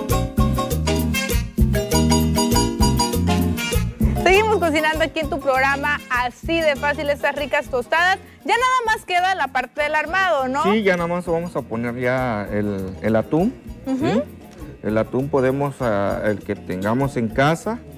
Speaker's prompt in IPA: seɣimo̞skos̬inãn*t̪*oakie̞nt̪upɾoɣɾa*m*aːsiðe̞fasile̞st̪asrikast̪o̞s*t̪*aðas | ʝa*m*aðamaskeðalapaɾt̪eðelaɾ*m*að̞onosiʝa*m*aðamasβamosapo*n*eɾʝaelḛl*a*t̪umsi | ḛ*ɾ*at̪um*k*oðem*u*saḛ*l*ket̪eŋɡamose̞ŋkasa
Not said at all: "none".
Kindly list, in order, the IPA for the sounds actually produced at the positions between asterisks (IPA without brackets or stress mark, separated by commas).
d̪, m, t̪, n, m, n, n, a, l, p, o, l